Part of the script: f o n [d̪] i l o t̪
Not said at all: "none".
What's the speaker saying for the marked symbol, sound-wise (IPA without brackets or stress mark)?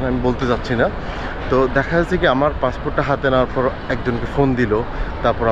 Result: d̪